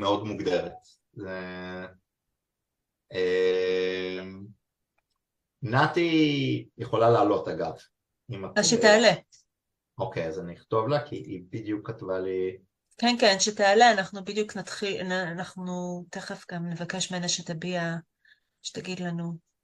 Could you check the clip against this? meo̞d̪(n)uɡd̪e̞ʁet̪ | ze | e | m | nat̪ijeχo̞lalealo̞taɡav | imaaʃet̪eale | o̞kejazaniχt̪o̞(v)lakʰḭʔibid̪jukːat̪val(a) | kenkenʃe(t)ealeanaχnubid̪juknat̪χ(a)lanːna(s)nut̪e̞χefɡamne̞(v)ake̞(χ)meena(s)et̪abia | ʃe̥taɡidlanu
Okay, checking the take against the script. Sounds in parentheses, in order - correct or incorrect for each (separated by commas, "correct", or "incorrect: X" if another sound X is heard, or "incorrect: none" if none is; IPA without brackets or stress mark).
incorrect: m, correct, incorrect: i, correct, incorrect: i, incorrect: χ, correct, incorrect: ʃ, incorrect: ʃ